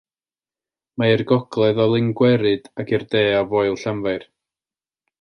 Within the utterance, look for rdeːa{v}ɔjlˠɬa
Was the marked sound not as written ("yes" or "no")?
no